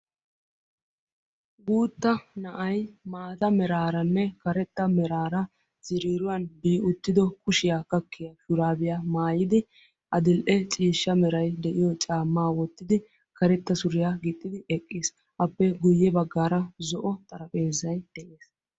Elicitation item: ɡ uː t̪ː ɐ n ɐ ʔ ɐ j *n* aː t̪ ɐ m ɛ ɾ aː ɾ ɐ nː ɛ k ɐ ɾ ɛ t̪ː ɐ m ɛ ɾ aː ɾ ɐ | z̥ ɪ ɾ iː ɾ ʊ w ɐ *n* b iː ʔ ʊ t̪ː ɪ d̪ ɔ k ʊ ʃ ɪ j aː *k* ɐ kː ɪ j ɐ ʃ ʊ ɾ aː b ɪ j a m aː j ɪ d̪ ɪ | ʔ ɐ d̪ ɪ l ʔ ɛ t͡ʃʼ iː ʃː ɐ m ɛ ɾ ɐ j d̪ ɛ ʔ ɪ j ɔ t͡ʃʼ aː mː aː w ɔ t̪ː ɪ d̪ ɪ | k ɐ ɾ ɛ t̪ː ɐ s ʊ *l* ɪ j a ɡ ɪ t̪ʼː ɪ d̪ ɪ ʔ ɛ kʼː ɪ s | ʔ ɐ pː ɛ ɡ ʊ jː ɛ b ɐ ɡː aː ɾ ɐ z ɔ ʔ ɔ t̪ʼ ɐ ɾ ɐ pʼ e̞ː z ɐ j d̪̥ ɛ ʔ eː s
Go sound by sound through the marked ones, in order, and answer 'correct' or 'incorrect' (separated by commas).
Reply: incorrect, correct, correct, incorrect